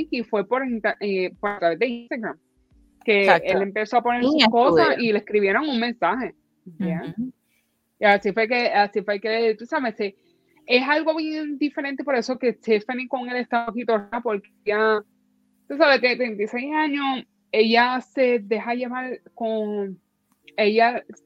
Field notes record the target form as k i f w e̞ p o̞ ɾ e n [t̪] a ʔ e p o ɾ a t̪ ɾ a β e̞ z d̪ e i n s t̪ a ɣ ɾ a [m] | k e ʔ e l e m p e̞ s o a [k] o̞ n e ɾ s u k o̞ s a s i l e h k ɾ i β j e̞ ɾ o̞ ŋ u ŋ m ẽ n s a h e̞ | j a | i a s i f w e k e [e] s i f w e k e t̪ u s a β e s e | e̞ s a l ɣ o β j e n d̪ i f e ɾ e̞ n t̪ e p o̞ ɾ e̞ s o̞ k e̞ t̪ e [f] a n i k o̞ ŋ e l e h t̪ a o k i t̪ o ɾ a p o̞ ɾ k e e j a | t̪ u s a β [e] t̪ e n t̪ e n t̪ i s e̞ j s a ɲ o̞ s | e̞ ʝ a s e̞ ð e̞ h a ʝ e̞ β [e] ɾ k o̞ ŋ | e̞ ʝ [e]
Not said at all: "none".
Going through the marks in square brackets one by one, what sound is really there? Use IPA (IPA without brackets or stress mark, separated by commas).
t̪, m, p, a, f, e, a, a